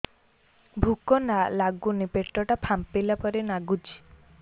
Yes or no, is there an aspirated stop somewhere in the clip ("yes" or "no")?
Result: yes